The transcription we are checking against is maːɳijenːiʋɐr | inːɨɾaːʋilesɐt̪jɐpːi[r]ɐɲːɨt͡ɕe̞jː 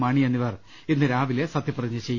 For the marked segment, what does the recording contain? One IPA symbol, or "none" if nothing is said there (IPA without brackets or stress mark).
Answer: r